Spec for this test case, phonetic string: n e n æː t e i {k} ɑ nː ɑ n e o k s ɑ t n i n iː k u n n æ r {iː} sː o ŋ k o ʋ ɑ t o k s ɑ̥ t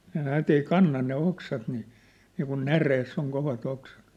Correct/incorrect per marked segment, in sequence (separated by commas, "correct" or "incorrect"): correct, incorrect